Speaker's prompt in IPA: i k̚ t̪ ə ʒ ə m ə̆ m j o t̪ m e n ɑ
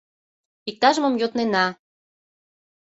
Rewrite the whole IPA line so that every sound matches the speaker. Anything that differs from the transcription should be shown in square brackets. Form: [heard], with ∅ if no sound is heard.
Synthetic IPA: i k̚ t̪ [ɑ] ʒ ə m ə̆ m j o t̪ [n] e n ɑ